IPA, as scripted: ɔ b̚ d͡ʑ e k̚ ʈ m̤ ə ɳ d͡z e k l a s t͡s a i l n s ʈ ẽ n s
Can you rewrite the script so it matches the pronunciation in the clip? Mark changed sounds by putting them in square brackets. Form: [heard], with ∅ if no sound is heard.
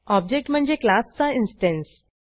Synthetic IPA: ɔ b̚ d͡ʑ e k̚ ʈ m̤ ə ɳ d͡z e k l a s t͡s a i [∅] n s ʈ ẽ n s